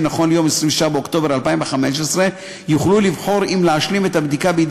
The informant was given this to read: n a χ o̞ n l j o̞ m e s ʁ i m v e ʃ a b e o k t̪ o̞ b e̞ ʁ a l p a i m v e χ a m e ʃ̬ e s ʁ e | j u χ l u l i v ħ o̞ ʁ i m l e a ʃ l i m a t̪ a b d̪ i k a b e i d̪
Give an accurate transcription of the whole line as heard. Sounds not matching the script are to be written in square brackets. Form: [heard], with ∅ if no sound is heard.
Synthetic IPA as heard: n a χ o̞ n l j o̞ m e s ʁ i m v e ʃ a b e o k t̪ o̞ b e̞ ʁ a l p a i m v e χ a m e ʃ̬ e s ʁ e | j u χ l u l i v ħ o̞ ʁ i m l e a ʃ l i m [e] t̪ a b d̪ i k a b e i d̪